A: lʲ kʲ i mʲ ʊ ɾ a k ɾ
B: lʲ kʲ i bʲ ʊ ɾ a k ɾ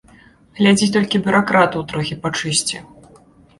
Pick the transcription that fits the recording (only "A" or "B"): B